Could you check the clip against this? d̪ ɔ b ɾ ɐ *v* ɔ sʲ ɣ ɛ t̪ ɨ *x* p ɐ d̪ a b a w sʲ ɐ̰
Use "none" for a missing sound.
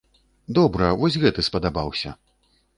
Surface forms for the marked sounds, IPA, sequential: v, s

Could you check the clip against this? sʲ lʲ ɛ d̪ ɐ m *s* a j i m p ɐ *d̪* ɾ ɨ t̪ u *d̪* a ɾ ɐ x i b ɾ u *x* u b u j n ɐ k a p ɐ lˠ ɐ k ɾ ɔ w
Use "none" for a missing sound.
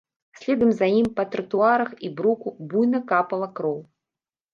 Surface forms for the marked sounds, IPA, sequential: z, t̪, none, k

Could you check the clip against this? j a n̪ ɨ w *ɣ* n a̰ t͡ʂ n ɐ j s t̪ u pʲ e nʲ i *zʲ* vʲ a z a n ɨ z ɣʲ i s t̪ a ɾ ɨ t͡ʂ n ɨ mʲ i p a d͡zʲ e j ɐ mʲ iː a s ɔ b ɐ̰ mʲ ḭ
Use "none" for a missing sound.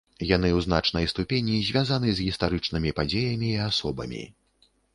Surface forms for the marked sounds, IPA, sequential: z, zʲ

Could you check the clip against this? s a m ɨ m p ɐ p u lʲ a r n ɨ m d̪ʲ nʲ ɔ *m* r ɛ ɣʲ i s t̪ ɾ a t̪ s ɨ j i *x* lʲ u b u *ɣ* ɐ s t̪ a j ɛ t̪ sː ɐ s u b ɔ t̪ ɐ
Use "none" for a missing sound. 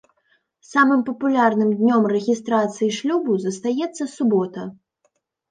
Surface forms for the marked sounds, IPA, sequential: m, ʂ, z

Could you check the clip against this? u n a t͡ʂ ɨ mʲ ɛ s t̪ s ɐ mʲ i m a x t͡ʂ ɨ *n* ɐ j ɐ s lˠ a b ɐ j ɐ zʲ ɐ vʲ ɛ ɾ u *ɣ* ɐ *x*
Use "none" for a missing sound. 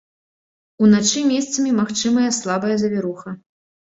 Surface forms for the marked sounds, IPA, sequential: m, x, none

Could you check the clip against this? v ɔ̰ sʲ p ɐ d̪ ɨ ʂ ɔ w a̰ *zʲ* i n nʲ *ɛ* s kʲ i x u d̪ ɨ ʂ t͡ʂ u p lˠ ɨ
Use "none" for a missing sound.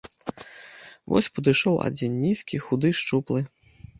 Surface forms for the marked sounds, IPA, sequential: d͡zʲ, i

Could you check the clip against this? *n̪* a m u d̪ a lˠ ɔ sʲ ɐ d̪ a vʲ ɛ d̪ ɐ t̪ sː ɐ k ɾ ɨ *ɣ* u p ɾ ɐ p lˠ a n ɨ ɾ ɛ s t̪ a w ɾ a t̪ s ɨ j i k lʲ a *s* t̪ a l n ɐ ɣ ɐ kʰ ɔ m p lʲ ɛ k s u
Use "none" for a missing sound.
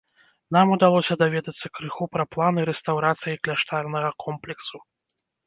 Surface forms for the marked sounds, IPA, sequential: n̪, x, ʂ

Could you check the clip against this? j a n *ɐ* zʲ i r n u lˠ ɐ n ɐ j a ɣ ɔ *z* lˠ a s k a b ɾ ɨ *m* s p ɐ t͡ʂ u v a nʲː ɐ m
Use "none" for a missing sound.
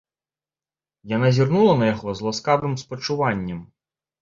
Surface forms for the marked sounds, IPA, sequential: a, z, m

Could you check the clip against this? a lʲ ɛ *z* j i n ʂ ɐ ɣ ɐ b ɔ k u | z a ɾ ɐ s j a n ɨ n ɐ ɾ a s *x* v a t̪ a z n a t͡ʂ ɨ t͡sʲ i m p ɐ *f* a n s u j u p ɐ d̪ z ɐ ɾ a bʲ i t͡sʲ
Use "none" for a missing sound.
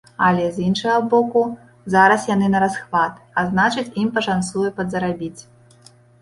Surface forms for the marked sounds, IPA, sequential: z, x, ʂ

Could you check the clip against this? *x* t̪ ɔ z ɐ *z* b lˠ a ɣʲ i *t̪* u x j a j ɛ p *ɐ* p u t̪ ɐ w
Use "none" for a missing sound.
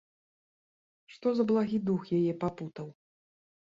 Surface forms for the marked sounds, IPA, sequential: ʂ, none, d̪, a

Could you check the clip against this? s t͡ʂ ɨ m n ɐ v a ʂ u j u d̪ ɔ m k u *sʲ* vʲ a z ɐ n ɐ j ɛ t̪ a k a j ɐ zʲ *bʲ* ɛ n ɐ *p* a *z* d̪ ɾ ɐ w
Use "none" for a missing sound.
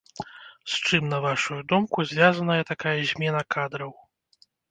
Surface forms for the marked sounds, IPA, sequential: zʲ, mʲ, k, none

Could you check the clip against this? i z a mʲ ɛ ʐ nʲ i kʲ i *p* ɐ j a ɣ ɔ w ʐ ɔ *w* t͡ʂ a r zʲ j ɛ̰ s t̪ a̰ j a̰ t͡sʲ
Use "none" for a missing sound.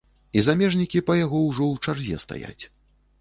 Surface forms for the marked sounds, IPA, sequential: p, w

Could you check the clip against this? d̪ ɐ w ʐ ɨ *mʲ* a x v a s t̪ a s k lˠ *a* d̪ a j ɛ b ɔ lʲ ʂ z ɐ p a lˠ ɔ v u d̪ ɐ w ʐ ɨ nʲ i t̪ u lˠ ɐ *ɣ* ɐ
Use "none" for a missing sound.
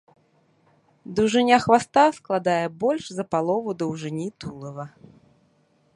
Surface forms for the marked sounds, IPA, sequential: nʲ, a, v

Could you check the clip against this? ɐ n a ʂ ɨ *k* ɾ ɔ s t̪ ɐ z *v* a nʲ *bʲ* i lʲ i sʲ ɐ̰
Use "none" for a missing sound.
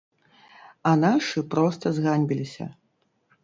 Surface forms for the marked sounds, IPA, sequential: p, ɣ, bʲ

